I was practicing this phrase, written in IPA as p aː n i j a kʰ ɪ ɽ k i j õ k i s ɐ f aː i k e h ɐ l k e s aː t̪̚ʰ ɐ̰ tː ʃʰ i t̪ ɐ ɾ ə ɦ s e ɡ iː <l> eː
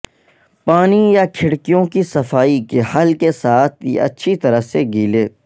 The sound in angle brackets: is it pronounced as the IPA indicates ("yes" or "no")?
yes